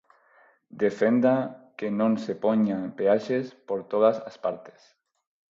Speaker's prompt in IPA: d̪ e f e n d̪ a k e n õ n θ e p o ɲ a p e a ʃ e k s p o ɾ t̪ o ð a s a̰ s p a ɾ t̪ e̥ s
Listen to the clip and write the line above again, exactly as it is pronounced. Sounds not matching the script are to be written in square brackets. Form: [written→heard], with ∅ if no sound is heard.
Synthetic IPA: d̪ e f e n d̪ a k e n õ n [θ→s] e p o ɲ a p e a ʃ e [k→∅] s p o ɾ t̪ o ð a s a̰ s p a ɾ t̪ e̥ s